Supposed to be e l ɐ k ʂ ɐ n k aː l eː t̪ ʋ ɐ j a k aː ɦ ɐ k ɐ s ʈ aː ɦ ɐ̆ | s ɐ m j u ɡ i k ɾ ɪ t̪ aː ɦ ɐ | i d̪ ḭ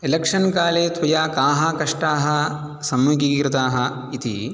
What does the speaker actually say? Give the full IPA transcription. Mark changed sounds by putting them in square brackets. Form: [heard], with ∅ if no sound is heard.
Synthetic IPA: e l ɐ k ʂ ɐ n k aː l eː t̪ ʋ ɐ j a k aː ɦ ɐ k ɐ [ʂ] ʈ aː ɦ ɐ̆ | s ɐ m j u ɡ i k ɾ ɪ t̪ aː ɦ ɐ | i [t̪] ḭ